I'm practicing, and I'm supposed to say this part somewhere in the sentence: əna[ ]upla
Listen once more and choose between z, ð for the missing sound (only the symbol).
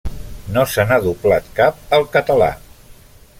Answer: ð